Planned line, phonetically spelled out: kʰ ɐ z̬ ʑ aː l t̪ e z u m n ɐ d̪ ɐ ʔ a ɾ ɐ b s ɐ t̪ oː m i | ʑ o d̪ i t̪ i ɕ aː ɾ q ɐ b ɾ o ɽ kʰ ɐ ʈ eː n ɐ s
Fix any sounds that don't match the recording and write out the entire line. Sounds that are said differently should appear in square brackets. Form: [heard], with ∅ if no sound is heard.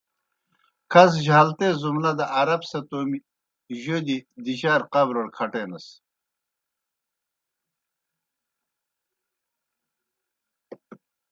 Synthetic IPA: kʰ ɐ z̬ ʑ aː l t̪ e z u m n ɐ d̪ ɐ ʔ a ɾ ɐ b s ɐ t̪ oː m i | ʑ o d̪ i [d̪] i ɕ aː ɾ q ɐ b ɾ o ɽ kʰ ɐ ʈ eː n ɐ s